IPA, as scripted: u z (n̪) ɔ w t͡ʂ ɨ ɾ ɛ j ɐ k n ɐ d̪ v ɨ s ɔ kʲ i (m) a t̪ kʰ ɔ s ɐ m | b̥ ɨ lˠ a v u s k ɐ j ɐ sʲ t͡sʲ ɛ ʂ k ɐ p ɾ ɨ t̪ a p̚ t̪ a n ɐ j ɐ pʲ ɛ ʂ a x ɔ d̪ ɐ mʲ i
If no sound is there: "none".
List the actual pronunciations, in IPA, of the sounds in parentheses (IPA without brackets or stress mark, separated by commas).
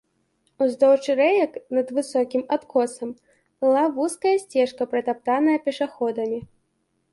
d̪, m